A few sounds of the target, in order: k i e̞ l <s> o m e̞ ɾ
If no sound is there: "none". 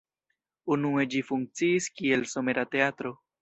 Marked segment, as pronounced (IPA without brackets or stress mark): s